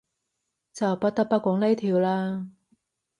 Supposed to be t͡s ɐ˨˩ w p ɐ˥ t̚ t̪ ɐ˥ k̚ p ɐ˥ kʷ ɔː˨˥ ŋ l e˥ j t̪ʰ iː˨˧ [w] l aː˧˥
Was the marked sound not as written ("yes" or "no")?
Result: no